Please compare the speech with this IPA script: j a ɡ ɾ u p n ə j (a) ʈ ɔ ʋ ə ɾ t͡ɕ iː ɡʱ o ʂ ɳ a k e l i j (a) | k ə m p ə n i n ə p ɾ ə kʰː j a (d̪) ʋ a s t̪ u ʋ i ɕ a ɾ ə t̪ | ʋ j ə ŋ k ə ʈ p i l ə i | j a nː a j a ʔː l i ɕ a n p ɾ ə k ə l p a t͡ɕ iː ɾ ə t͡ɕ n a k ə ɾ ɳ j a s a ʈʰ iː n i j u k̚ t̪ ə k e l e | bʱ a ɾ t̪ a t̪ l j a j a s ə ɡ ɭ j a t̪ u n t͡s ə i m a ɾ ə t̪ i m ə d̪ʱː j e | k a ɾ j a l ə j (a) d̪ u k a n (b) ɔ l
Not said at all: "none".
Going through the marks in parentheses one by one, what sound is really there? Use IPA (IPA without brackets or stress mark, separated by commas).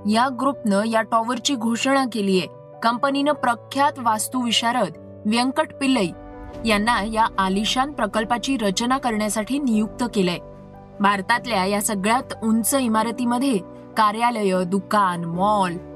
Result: a, e, t̪, ə, m